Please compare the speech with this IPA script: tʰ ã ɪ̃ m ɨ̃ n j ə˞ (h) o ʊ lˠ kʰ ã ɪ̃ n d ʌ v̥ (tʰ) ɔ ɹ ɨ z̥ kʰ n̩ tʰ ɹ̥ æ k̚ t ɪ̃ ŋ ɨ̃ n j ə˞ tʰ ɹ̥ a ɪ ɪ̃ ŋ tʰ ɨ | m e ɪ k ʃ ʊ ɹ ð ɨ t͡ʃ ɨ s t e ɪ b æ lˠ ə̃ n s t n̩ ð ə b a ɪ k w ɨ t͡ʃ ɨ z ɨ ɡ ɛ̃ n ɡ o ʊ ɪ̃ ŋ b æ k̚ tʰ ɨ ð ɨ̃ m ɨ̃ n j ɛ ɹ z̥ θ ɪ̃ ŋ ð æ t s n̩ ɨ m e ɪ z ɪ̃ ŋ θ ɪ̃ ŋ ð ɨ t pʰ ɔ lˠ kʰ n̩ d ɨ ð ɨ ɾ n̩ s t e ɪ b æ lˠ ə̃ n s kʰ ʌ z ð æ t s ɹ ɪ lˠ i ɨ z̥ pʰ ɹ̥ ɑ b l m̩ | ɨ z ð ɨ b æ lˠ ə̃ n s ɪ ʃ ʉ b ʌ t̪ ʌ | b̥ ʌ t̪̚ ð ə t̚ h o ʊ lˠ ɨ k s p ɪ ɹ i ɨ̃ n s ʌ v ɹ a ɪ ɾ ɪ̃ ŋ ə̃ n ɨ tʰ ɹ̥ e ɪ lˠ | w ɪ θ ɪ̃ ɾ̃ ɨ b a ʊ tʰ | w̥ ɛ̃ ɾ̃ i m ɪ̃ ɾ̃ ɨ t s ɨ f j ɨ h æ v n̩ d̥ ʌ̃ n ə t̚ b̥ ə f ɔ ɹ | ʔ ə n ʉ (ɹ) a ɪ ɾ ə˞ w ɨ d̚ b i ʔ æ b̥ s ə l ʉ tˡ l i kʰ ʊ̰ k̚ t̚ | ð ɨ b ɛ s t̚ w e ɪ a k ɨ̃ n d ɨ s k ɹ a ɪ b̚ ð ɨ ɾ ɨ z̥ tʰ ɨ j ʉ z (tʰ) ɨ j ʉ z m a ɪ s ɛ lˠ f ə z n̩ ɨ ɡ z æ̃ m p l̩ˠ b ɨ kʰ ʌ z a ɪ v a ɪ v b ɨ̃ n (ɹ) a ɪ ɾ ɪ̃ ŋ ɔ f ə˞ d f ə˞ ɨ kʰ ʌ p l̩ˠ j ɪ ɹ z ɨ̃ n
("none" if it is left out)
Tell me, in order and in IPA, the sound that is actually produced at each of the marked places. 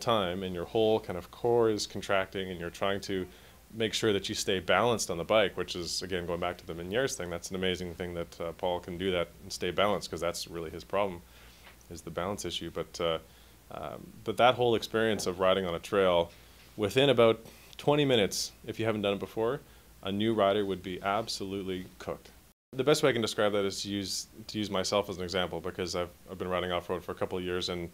h, kʰ, ɹ, tʰ, ɹ

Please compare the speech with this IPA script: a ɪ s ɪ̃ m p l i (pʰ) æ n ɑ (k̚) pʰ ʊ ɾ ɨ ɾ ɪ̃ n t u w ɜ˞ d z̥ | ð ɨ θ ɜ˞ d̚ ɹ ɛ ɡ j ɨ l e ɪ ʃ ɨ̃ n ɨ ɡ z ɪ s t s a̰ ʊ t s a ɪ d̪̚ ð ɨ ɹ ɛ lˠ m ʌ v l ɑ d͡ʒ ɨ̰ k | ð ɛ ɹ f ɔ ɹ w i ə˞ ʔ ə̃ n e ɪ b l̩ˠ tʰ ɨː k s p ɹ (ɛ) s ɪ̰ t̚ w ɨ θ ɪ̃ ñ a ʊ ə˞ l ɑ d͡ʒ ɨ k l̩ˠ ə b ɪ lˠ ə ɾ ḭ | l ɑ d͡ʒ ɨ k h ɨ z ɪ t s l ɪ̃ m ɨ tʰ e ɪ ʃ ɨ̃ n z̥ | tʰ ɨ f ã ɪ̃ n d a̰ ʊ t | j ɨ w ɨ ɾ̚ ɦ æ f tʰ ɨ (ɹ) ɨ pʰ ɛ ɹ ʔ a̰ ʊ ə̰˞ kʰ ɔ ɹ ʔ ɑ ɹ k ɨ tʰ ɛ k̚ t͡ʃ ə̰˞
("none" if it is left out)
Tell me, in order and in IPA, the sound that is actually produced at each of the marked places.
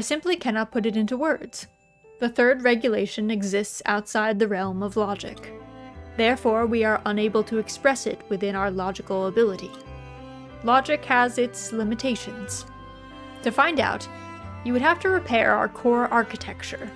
kʰ, t̚, ɛ, ɹ

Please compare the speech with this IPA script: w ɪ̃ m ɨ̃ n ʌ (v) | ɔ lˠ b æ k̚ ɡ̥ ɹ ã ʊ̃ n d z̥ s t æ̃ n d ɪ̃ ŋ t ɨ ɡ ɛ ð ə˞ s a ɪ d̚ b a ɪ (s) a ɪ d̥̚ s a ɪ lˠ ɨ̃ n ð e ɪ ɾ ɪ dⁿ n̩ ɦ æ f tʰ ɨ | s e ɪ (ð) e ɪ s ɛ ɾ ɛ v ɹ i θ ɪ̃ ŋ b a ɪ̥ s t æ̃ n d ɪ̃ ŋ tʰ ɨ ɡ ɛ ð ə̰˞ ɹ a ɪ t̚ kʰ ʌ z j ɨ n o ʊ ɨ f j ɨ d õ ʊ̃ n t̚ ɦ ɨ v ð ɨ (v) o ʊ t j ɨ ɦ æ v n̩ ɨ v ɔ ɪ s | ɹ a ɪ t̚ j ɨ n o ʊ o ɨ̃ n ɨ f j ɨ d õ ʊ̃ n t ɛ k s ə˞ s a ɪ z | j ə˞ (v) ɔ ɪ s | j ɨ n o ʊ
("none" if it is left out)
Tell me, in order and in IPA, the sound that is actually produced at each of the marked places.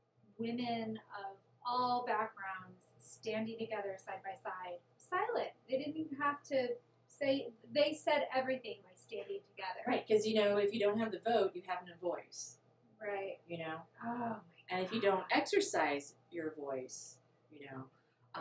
v, s, ð, v, v

